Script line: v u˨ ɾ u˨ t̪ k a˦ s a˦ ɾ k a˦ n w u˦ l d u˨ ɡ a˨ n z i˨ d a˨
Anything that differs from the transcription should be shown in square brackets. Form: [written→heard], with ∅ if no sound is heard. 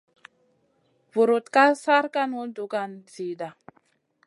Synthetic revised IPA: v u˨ ɾ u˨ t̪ k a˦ s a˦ ɾ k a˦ n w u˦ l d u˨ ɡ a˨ n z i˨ d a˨